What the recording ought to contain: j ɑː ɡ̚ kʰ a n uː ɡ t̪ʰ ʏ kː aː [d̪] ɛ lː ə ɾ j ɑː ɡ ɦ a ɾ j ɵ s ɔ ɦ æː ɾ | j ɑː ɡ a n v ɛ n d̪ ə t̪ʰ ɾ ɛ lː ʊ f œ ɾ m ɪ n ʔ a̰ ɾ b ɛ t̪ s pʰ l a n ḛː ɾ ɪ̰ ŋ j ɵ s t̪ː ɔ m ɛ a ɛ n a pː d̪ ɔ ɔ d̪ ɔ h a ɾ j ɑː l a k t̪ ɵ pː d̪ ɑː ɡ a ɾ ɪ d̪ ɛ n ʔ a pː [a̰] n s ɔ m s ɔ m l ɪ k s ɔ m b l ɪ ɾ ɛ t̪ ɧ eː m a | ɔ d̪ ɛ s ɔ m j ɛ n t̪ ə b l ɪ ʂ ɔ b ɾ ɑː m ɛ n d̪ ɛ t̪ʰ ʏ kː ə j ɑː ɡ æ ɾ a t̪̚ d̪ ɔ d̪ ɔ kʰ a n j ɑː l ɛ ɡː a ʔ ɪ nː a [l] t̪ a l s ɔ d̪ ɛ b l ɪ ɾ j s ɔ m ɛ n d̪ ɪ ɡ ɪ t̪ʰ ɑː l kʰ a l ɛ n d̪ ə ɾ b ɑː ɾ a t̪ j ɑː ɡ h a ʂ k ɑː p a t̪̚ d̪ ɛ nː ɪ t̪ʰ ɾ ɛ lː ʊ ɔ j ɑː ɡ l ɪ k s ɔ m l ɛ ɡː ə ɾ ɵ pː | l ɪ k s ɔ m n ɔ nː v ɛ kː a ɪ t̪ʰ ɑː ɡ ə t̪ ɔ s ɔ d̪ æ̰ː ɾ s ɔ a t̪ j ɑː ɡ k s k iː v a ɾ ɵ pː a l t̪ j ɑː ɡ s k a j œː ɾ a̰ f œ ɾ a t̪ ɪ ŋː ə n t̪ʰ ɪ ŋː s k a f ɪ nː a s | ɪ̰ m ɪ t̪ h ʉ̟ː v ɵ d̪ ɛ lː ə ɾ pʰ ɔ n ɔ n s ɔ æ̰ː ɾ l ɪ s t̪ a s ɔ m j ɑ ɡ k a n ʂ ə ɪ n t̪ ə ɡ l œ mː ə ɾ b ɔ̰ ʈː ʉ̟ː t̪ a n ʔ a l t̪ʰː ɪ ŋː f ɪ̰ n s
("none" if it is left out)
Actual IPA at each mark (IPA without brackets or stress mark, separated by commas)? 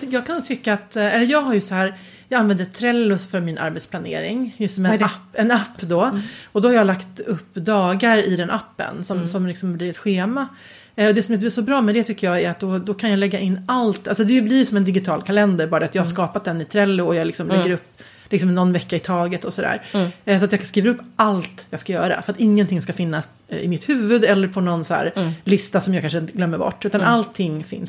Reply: t̪, ə̰, l